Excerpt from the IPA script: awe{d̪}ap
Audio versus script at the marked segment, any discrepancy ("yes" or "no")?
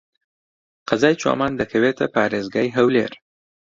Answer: yes